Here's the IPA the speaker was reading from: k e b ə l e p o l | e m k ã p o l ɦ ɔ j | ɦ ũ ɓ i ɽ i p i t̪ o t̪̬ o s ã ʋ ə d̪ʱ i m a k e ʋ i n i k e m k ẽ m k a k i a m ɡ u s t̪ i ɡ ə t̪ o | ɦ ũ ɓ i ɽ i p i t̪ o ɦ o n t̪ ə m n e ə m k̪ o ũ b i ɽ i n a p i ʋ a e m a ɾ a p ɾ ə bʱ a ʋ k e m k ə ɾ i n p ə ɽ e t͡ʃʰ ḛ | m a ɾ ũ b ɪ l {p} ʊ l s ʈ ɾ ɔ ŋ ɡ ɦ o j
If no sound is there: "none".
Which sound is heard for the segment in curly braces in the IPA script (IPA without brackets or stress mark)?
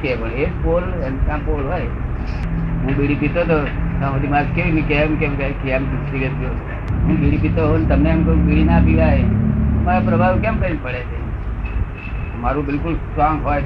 k